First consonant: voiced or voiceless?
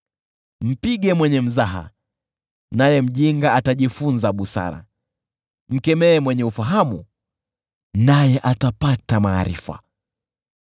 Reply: voiced